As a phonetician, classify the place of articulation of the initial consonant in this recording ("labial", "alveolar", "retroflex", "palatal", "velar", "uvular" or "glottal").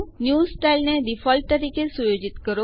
alveolar